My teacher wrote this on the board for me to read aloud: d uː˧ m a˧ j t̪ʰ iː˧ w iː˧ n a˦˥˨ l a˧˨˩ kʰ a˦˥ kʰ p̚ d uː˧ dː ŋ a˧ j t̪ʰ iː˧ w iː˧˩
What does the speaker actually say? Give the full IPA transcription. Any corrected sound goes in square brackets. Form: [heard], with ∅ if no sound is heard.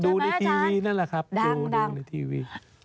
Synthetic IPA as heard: d uː˧ [n] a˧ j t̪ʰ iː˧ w iː˧ n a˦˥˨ l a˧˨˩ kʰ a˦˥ [∅] p̚ d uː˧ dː [n] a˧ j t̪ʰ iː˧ w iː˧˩